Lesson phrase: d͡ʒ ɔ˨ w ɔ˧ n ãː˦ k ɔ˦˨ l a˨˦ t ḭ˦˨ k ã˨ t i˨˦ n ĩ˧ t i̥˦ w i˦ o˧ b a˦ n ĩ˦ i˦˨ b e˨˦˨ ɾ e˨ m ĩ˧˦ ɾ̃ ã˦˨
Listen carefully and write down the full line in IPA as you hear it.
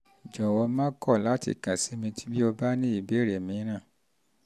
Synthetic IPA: d͡ʒ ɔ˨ w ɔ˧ m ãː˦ k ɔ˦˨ l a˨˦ t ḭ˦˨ k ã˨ s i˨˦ m ĩ˧ t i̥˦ b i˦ o˧ b a˦ n ĩ˦ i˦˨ b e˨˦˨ ɾ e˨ m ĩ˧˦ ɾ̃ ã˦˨